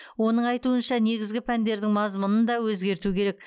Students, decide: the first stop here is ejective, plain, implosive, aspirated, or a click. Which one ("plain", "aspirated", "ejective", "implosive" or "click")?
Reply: plain